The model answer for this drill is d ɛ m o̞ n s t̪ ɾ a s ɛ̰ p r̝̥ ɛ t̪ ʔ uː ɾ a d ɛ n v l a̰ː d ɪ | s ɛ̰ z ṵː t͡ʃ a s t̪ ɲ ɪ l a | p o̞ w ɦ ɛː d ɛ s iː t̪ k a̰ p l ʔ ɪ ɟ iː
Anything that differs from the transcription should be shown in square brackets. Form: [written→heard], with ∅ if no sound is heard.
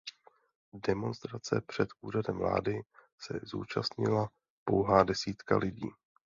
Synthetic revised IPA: d ɛ m o̞ n s t̪ ɾ a [s→t͡s] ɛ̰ p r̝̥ ɛ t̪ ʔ uː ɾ a d ɛ [n→m] v l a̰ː d ɪ | s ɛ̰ z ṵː t͡ʃ a s t̪ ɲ ɪ l a | p o̞ w ɦ [ɛː→aː] d ɛ s iː t̪ k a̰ [p→∅] l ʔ ɪ ɟ iː